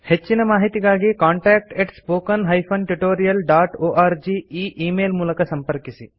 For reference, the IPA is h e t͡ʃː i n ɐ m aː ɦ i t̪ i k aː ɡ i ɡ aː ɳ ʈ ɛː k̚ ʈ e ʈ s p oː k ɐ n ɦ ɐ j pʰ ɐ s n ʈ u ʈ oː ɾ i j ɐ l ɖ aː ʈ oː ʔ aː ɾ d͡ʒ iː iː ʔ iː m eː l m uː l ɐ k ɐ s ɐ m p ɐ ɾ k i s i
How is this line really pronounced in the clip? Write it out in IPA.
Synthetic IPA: h e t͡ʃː i n ɐ m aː ɦ i t̪ i ɡ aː ɡ i k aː ɳ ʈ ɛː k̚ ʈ e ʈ s p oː k ɐ n ɦ ɐ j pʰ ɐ n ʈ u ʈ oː ɾ i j ɐ l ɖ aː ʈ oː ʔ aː ɾ d͡ʒ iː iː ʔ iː m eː l m uː l ɐ k ɐ s ɐ m p ɐ ɾ k i s i